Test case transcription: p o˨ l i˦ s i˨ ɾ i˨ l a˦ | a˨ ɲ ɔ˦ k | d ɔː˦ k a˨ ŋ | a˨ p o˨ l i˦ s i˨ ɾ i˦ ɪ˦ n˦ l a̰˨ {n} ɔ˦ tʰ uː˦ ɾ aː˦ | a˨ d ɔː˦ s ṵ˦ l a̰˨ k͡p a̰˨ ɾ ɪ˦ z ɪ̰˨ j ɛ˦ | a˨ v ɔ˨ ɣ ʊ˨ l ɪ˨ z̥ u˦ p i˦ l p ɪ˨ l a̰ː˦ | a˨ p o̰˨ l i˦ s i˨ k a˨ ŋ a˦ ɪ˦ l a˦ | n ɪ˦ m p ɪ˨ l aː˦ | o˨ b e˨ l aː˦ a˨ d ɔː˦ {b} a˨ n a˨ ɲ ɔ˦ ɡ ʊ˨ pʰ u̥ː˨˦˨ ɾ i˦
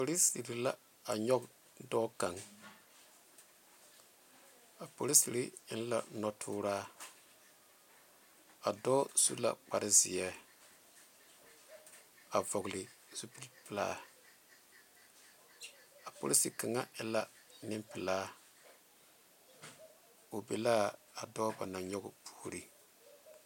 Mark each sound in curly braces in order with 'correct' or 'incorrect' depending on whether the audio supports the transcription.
correct, correct

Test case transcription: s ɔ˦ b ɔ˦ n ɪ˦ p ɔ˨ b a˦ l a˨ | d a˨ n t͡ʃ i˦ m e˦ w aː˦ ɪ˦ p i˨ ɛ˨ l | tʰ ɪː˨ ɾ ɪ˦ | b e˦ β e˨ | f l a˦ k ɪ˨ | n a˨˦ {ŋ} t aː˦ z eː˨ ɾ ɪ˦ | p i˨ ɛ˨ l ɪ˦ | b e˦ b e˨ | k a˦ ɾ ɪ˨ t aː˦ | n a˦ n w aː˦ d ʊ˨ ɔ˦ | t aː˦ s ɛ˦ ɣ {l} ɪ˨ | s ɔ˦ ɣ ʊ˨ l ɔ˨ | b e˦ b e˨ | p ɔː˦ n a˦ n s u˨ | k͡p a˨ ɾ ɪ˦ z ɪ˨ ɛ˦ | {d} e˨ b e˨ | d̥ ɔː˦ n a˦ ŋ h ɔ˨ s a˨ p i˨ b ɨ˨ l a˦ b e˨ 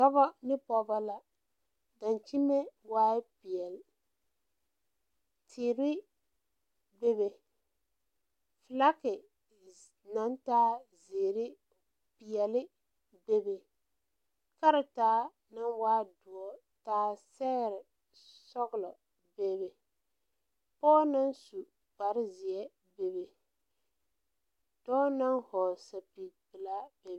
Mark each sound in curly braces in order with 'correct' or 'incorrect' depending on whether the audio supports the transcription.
incorrect, incorrect, incorrect

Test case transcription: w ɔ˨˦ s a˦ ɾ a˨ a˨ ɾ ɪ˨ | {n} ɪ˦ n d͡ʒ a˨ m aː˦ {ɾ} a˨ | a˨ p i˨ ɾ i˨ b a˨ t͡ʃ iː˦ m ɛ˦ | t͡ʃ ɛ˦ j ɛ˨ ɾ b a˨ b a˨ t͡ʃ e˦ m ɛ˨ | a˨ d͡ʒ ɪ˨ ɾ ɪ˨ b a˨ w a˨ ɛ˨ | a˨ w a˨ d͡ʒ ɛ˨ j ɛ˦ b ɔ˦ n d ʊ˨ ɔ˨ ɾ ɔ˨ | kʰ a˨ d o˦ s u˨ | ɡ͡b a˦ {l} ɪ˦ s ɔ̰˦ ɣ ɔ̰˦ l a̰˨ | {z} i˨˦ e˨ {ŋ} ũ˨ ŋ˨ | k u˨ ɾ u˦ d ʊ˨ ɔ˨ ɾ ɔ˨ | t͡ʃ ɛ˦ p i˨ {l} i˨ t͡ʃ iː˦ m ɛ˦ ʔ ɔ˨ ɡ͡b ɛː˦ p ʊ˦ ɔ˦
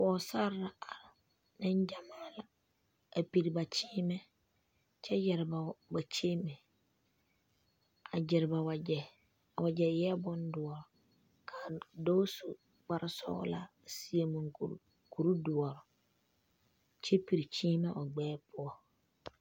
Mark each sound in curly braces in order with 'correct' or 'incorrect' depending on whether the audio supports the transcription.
correct, incorrect, incorrect, incorrect, incorrect, incorrect

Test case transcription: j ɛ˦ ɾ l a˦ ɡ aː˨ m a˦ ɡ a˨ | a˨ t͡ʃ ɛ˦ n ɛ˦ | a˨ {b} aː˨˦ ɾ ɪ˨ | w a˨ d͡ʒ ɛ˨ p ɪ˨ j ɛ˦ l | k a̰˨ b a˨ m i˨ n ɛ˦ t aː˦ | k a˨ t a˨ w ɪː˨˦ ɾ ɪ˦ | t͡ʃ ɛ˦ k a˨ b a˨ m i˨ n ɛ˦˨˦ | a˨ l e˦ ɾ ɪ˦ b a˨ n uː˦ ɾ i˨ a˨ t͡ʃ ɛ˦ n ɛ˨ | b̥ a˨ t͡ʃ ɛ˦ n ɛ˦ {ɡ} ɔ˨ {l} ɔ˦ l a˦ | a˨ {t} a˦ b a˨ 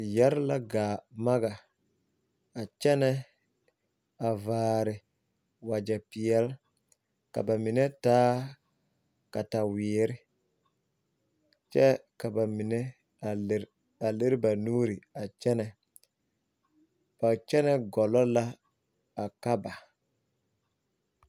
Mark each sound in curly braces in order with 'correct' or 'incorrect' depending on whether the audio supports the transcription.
incorrect, correct, correct, incorrect

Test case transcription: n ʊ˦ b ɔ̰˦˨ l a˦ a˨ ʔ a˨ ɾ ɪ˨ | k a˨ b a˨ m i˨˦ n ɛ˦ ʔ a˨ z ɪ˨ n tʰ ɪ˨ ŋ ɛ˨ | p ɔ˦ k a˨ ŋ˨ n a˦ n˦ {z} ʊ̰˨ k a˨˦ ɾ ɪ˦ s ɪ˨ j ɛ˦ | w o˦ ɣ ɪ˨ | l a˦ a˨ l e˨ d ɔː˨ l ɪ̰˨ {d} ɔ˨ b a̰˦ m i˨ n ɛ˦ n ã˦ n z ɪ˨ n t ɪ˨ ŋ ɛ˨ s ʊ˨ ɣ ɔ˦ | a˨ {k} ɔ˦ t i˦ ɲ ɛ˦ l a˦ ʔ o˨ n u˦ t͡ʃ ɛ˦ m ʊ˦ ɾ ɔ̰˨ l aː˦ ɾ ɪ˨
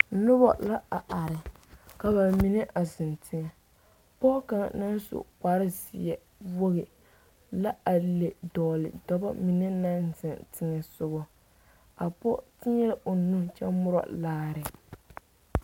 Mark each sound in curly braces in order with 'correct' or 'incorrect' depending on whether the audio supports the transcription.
incorrect, correct, incorrect

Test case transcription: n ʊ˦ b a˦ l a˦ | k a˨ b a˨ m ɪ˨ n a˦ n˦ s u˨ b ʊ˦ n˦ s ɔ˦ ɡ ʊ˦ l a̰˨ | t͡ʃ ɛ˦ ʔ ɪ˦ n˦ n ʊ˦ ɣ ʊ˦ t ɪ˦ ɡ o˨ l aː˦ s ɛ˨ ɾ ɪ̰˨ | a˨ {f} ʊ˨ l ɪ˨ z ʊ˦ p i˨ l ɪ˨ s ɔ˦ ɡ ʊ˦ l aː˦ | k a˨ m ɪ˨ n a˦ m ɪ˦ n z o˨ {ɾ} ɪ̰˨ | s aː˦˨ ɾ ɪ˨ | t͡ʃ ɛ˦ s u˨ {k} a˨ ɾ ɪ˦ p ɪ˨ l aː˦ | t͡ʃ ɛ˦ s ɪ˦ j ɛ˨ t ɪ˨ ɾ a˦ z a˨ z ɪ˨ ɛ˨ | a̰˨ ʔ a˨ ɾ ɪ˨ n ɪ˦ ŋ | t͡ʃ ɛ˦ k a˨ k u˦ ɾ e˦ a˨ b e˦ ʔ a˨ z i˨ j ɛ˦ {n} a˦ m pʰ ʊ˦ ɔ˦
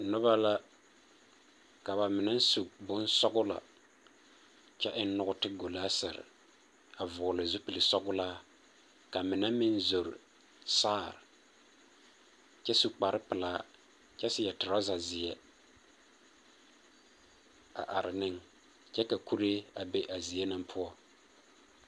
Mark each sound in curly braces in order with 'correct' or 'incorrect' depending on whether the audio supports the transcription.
incorrect, correct, incorrect, correct

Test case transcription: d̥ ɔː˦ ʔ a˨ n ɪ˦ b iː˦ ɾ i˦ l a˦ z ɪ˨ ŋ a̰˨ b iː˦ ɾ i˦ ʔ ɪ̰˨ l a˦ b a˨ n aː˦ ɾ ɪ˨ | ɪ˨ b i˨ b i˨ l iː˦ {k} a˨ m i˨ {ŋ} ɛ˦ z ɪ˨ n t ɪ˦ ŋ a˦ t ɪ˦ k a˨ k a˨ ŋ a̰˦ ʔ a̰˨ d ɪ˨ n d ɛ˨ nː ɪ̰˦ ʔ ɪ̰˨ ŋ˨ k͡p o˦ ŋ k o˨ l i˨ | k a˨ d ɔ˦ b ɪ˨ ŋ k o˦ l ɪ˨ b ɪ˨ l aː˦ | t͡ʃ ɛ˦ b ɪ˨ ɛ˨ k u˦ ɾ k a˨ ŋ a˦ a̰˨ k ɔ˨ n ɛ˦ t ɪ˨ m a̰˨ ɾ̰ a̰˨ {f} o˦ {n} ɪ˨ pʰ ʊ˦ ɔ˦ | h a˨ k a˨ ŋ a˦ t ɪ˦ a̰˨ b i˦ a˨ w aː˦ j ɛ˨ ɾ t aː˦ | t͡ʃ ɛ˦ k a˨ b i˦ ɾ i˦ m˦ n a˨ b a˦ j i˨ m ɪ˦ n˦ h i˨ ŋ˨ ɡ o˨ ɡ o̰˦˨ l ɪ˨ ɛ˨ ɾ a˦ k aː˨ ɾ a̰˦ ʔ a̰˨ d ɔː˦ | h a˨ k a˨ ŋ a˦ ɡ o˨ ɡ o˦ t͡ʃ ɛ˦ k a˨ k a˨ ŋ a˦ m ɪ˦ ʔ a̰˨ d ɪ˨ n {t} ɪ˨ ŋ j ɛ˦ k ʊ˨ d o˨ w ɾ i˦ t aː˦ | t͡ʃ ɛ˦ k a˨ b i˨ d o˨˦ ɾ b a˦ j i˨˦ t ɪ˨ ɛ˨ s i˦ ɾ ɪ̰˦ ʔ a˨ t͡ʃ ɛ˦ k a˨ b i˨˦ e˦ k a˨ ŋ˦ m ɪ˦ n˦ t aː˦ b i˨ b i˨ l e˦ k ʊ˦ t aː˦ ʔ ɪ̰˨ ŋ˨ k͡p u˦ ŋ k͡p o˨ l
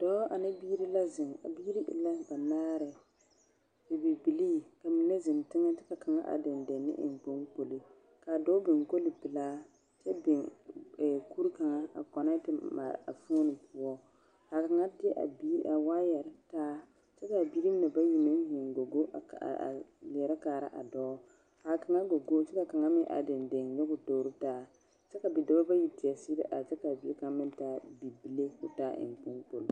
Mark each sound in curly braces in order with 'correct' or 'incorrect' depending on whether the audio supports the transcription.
correct, incorrect, correct, correct, incorrect

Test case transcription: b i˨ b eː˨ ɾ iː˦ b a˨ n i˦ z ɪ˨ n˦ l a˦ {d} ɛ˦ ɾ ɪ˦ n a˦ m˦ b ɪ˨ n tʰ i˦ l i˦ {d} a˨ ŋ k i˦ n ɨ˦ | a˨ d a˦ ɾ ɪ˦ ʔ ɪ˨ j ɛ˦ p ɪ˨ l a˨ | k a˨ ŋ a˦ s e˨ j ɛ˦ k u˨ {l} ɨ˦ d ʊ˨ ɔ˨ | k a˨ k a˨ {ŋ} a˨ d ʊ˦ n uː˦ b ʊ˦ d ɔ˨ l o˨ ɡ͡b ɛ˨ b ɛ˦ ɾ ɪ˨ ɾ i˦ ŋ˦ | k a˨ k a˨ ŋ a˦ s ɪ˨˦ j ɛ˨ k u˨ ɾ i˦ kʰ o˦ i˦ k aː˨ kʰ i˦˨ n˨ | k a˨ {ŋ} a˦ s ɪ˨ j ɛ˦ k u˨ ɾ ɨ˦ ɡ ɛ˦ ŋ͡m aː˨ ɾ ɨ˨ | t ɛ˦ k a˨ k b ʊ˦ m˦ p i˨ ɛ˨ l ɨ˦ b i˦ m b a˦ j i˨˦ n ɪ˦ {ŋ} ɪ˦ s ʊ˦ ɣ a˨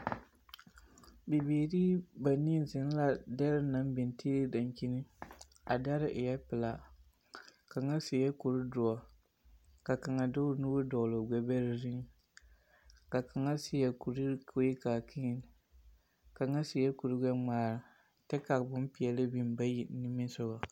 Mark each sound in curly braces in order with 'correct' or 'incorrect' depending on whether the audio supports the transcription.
correct, correct, incorrect, correct, correct, incorrect

